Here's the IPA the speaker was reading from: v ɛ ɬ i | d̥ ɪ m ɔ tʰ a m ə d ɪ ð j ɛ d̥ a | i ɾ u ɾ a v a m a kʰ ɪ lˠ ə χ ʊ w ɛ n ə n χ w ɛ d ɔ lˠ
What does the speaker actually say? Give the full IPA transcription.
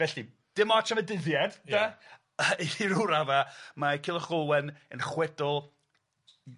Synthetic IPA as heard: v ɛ ɬ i | d̥ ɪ m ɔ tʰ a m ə d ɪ ð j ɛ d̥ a | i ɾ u ɾ a v a m a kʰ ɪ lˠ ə χ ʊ w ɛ n ə n χ w ɛ d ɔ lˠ